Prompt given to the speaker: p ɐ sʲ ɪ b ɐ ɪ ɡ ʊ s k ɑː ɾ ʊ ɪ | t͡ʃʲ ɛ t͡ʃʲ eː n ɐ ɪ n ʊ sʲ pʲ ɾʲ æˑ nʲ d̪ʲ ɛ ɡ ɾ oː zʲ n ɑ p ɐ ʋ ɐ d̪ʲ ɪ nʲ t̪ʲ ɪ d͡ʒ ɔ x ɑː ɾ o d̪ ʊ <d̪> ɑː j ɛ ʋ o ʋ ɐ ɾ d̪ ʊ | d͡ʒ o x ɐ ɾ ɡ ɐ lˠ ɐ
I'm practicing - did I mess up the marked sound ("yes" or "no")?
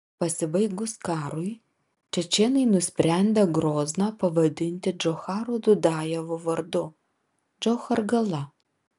no